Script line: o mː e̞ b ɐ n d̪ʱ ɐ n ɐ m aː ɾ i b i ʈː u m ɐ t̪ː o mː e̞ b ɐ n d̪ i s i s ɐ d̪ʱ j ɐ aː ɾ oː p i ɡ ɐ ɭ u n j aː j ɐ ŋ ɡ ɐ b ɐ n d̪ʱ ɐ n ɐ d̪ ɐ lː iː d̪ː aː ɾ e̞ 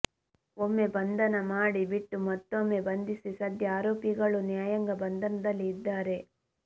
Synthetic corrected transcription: o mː e̞ b ɐ n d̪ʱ ɐ n ɐ m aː ɽ i b i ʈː u m ɐ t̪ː o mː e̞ b ɐ n d̪ i s i s ɐ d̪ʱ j ɐ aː ɾ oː p i ɡ ɐ ɭ u n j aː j ɐ ŋ ɡ ɐ b ɐ n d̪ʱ ɐ n ɐ d̪ ɐ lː iː d̪ː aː ɾ e̞